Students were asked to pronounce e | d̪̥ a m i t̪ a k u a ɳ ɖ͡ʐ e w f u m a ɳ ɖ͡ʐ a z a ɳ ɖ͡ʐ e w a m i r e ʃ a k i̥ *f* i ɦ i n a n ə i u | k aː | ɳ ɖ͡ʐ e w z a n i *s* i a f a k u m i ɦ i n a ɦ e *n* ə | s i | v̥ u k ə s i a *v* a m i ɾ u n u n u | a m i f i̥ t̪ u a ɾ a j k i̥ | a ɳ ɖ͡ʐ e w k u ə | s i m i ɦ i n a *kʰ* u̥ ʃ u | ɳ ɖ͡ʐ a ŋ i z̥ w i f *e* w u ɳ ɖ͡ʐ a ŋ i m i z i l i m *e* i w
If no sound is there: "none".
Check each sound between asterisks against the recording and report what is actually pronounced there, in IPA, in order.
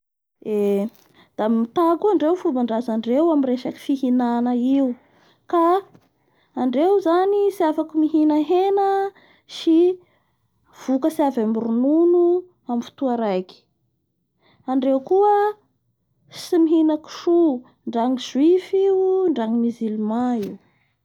f, s, n, v, k, i, a

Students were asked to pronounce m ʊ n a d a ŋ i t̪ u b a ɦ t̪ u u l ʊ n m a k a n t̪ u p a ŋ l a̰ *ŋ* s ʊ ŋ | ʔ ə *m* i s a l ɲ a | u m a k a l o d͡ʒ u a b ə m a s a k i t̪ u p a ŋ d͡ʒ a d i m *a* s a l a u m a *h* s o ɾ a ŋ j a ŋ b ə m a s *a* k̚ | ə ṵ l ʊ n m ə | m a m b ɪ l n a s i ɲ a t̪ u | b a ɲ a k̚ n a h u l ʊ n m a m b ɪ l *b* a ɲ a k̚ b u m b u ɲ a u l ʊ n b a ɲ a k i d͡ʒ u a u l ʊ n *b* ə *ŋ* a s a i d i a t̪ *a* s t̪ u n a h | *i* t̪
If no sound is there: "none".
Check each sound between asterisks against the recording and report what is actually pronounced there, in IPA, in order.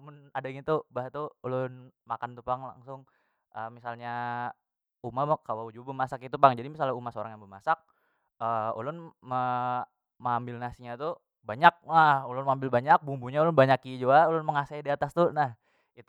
ŋ, m, i, h, a, b, m, ŋ, a, i

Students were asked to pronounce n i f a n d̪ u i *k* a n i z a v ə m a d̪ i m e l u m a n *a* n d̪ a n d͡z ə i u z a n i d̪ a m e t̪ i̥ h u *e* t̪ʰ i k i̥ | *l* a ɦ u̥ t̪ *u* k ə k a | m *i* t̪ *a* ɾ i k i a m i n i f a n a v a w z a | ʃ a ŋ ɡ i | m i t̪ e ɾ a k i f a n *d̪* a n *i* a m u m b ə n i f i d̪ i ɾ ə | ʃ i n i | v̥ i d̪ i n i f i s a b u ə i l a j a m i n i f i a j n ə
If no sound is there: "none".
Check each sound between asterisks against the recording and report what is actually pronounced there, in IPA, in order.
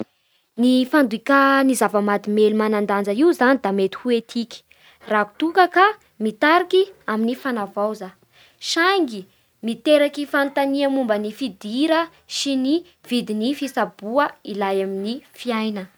k, a, e, r, u, i, a, t̪, i

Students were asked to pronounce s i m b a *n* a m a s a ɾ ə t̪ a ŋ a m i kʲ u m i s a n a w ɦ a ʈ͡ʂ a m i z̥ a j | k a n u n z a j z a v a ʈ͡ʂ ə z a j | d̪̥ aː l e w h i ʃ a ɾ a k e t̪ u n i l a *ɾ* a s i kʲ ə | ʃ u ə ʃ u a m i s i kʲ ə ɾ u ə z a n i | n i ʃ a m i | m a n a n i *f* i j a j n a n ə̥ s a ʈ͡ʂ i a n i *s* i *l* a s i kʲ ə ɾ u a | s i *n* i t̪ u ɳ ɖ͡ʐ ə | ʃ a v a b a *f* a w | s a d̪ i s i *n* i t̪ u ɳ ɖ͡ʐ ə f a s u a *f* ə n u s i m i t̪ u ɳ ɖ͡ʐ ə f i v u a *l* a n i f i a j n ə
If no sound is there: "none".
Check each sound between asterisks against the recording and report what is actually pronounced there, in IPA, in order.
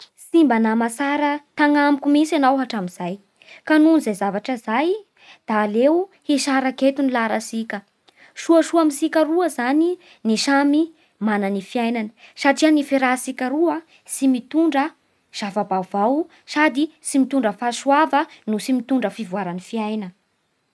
n, ɾ, f, f, ɾ, m, v, m, v, ɾ

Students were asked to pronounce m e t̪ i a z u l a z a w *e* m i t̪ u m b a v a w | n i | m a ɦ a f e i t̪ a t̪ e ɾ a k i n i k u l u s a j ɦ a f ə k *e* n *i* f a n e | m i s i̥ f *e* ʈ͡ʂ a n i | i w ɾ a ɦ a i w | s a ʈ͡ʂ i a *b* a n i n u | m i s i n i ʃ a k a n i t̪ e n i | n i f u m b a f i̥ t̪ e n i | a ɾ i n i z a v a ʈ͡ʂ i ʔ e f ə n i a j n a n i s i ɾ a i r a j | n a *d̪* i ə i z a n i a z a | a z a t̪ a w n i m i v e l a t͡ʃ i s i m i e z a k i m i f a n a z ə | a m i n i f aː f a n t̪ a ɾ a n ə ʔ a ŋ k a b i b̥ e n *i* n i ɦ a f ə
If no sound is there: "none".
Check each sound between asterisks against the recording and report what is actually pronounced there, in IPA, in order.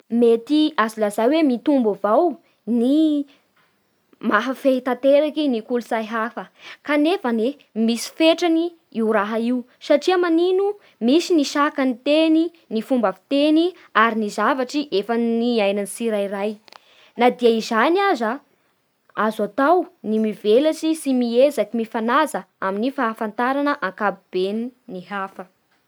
e, a, e, e, m, d̪, i

